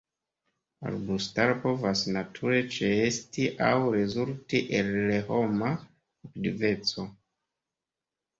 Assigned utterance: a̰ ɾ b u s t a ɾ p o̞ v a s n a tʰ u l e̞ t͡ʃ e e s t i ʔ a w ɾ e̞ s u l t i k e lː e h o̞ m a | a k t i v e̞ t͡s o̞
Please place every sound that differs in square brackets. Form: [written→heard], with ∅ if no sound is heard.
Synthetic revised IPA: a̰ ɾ b u s t a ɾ p o̞ v a s n a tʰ u [l→ɾ] e̞ t͡ʃ e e s t i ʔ a w ɾ e̞ [s→z] u l t i [k→ʔ] e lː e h o̞ m a | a k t i v e̞ t͡s o̞